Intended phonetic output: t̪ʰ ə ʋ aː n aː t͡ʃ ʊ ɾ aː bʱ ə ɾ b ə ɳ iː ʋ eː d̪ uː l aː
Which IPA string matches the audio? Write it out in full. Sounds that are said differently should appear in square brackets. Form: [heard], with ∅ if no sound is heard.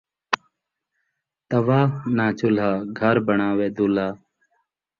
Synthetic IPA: [t̪] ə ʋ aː n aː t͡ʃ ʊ [l] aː [ɡʱ] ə ɾ b ə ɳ [aː] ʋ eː d̪ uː l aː